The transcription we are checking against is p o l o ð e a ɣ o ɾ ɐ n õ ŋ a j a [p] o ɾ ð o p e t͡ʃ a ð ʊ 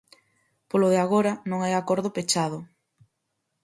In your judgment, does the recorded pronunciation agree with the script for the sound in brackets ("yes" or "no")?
no